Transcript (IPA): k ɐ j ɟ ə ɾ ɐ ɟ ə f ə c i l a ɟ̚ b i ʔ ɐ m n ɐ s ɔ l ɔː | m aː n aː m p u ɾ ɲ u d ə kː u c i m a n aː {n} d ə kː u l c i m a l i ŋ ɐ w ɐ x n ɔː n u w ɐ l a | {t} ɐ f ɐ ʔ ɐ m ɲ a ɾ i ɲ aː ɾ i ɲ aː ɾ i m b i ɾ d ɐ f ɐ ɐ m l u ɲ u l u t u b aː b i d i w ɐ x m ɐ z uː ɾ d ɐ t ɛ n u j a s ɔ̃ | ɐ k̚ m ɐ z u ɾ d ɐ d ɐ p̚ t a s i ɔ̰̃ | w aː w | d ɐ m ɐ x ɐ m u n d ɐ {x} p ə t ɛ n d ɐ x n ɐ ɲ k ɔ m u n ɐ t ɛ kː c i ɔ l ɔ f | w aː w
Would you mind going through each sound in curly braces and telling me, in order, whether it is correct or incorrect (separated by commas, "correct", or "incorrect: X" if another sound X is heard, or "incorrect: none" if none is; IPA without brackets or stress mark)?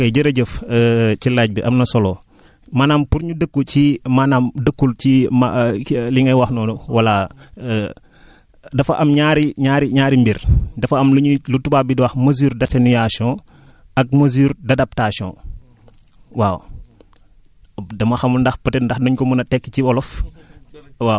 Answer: incorrect: m, incorrect: d, correct